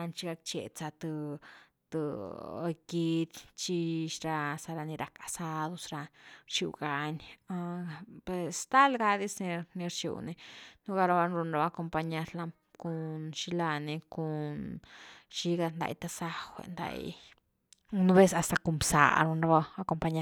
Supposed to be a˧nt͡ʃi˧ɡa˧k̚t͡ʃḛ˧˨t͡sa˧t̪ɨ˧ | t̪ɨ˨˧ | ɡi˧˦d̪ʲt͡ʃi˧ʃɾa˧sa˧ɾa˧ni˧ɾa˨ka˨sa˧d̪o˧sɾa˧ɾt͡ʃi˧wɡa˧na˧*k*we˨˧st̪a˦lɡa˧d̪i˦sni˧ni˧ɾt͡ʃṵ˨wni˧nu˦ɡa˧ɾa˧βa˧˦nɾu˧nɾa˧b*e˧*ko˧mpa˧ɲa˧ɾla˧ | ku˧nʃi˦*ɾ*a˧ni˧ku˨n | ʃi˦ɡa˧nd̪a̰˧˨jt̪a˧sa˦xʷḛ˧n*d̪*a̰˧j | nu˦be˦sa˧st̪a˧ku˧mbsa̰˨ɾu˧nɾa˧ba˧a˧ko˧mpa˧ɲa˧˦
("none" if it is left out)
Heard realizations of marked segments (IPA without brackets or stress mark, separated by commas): p, a˧, l, d̪